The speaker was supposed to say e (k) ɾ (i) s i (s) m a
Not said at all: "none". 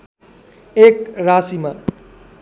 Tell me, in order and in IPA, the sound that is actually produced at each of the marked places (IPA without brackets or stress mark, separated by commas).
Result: k, a, none